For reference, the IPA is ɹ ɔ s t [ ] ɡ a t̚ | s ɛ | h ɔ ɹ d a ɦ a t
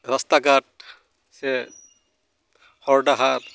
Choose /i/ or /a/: a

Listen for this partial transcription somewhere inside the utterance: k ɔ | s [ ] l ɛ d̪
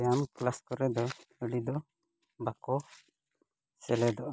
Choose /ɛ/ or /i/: ɛ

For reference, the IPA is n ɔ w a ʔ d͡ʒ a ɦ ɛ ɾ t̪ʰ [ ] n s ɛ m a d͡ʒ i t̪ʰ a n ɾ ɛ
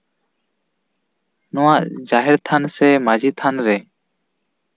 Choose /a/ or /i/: a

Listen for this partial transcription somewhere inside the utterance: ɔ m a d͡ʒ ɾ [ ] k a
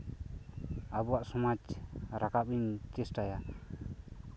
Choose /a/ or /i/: a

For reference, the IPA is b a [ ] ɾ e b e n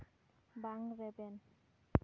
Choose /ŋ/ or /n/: ŋ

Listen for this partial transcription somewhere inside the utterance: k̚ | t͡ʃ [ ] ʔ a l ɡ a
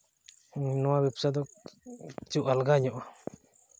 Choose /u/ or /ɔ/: u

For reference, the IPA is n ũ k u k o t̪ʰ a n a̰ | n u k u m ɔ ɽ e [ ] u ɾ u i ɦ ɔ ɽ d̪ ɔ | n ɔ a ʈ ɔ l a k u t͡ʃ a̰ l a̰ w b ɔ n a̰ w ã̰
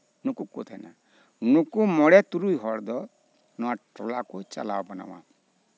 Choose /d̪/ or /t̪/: t̪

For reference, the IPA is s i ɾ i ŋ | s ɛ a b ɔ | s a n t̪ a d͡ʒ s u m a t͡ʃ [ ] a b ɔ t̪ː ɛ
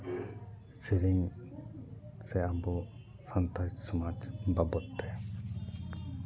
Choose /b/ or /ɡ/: b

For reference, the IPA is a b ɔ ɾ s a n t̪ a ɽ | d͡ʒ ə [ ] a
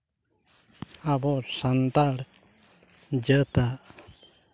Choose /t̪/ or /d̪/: t̪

